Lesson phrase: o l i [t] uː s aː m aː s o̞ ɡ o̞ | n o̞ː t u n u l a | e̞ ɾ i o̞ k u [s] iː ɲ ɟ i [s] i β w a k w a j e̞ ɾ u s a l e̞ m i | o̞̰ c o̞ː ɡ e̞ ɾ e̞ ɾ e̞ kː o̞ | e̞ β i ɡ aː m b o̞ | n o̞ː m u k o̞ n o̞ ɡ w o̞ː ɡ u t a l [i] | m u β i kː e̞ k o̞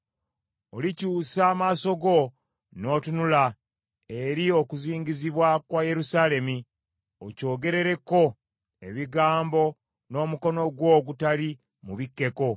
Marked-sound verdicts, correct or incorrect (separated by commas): incorrect, incorrect, incorrect, correct